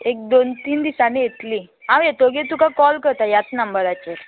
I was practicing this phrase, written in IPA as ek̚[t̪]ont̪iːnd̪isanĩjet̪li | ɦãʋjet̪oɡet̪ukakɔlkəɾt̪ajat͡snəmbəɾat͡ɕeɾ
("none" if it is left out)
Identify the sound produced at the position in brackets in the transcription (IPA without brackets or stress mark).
d̪